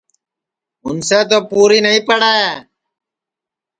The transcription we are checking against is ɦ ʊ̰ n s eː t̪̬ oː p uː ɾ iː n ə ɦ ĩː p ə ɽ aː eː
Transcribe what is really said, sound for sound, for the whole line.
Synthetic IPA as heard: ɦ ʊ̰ n s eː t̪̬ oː p uː ɾ iː n ə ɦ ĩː p ə ɽ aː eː